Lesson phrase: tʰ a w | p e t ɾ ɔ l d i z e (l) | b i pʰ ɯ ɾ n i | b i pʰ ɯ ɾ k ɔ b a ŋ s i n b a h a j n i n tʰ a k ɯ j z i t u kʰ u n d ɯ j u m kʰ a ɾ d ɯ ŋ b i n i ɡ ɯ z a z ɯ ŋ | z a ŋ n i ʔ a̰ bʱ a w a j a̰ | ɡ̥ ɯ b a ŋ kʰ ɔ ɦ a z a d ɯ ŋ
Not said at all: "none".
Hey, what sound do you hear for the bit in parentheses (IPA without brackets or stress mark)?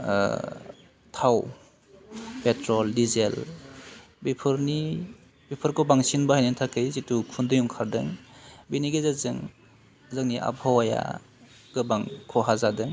l